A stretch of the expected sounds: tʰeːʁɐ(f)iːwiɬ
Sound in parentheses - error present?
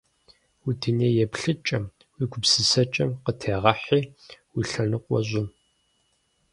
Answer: yes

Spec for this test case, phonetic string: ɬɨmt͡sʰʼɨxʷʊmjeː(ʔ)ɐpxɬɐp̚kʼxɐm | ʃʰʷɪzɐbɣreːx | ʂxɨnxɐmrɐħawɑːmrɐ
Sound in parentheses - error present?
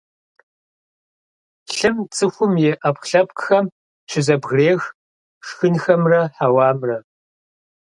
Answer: no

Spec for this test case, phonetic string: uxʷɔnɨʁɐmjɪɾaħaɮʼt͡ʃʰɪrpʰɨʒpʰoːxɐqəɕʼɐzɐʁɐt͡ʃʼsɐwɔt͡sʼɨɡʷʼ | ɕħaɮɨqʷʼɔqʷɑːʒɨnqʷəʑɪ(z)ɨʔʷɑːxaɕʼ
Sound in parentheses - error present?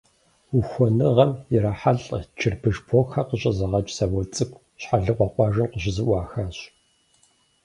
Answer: no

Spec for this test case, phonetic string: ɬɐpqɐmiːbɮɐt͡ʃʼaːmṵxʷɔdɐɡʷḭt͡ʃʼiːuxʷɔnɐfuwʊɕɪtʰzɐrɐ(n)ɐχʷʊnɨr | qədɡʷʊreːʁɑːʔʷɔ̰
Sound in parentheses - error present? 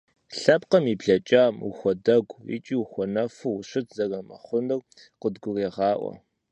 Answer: yes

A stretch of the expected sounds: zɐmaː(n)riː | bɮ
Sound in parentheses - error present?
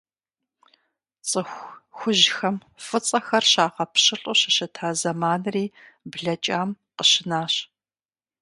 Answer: no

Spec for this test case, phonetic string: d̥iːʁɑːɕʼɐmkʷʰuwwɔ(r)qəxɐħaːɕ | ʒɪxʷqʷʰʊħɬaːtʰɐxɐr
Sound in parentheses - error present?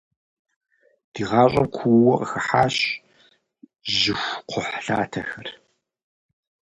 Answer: yes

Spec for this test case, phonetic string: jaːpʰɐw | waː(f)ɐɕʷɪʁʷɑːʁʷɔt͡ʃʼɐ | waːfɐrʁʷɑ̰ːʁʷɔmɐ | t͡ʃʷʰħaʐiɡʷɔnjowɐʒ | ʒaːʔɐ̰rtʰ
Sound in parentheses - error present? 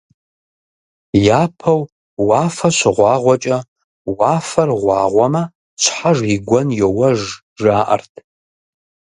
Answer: no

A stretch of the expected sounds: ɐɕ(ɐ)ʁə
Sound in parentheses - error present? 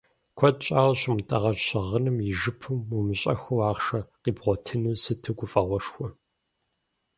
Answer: no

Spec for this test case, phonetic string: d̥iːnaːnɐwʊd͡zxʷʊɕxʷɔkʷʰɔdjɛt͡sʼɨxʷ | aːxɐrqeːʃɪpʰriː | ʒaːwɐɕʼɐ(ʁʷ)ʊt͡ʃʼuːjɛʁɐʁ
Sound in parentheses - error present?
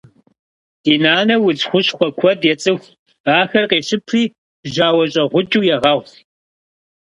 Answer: no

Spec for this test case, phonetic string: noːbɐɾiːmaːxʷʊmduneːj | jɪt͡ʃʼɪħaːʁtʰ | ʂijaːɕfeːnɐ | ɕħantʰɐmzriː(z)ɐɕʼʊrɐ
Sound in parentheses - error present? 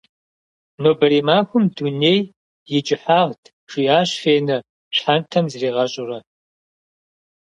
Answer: yes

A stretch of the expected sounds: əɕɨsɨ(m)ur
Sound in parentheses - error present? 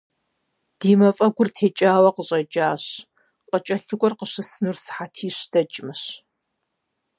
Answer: yes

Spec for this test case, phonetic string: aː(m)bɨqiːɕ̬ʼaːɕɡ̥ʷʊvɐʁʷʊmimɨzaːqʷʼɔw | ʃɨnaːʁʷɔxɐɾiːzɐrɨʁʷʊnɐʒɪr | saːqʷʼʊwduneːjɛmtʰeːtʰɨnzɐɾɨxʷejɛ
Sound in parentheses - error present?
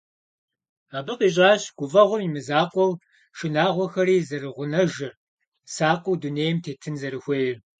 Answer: yes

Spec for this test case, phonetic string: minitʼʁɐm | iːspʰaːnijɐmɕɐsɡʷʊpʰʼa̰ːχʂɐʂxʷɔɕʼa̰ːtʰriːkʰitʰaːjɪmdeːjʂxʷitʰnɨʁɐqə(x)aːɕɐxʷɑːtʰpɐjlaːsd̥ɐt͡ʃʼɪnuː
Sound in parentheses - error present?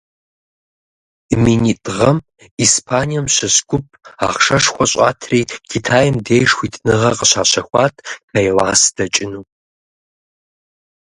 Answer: yes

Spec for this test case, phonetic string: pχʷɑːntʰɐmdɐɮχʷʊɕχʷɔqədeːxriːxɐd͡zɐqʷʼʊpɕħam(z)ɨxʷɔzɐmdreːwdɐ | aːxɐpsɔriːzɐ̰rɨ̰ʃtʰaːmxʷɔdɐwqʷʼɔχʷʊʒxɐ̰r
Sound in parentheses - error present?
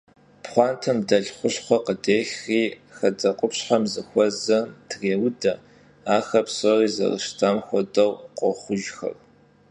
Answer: no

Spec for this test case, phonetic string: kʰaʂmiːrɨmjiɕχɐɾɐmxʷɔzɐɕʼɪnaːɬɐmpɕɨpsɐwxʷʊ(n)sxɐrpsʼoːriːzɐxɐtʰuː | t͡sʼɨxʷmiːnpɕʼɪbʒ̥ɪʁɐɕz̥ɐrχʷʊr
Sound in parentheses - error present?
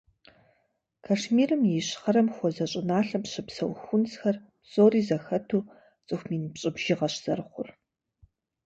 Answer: no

